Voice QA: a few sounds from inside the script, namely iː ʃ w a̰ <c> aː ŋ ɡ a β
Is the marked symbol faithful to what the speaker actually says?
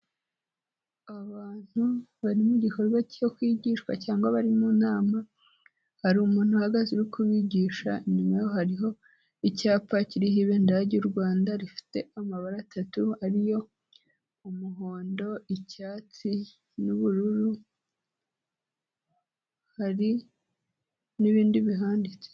yes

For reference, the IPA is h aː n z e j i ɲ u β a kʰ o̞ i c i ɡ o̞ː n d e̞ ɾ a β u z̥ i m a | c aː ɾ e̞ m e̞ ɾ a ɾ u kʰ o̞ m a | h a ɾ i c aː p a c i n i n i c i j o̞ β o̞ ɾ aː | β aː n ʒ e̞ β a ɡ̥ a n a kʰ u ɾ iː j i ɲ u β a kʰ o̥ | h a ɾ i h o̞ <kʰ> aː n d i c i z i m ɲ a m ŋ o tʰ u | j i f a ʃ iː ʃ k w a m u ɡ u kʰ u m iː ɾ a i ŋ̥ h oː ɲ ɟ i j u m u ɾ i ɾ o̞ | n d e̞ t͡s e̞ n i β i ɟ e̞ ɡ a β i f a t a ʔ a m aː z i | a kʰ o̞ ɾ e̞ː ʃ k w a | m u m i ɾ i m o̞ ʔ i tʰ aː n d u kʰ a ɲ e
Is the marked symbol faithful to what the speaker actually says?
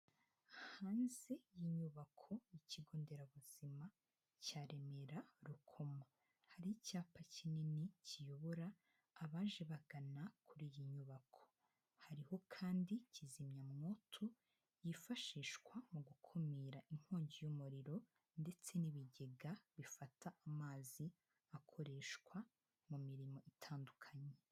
yes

